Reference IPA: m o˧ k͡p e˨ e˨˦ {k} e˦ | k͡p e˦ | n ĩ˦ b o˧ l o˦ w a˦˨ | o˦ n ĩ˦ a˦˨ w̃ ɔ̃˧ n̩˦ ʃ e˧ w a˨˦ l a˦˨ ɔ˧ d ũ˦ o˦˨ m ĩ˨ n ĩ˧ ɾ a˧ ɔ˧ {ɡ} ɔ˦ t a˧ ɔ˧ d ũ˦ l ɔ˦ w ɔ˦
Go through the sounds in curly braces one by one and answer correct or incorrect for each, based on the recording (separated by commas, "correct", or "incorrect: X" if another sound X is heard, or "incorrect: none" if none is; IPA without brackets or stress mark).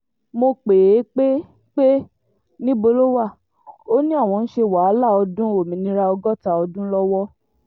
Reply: incorrect: k͡p, correct